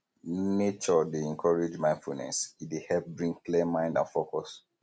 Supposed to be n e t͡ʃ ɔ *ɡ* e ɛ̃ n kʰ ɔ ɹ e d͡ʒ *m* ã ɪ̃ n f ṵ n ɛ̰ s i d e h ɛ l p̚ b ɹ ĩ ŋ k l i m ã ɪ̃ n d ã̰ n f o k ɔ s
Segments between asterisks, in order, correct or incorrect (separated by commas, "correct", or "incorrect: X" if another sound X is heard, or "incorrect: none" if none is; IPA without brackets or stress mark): incorrect: d, correct